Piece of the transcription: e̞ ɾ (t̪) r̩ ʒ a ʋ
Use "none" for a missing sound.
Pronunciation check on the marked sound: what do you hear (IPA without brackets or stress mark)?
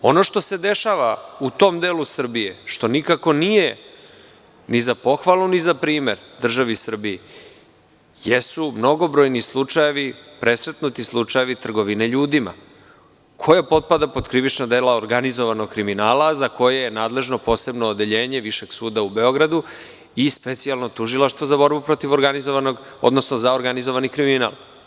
d̪